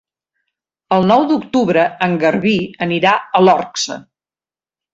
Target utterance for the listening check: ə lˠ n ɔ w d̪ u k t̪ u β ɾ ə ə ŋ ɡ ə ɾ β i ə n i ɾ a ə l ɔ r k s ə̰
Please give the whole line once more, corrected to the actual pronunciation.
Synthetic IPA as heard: ə lˠ n ɔ w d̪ u k t̪ u β ɾ ə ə ŋ ɡ ə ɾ β i ə n i ɾ a ə l ɔ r k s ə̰